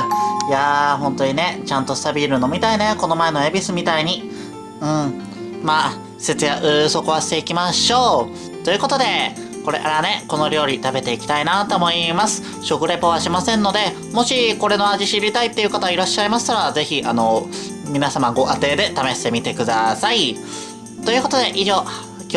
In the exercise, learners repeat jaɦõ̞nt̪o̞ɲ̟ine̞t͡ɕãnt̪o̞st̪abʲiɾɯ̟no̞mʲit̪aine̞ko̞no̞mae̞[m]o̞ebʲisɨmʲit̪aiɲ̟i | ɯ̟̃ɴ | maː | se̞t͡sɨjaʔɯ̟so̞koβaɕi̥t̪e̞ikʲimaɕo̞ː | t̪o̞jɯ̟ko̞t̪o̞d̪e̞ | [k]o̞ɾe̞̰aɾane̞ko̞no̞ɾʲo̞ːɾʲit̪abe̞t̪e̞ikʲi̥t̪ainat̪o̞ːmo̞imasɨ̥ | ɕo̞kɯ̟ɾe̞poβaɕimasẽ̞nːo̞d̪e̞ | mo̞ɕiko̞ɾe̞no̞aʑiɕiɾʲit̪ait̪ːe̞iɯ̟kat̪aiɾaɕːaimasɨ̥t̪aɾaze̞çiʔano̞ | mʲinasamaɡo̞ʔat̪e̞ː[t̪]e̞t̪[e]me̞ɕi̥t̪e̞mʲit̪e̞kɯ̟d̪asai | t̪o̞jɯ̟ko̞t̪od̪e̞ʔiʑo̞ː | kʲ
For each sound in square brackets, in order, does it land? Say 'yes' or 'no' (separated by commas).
no, yes, no, no